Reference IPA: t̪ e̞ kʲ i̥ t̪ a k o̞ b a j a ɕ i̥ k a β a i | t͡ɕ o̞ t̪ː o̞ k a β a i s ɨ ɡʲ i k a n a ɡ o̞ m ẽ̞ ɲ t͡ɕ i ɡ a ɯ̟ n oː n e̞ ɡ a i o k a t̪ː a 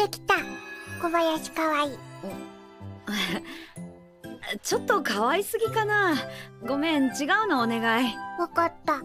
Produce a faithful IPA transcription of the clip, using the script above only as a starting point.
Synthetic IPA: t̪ e̞ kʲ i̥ t̪ a k o̞ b a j a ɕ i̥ k a β a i | t͡ɕ o̞ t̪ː o̞ k a β a i s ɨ ɡʲ i k a n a ɡ o̞ m ẽ̞ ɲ t͡ɕ i ɡ a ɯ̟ n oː n e̞ ɡ a i o k a t̪ː a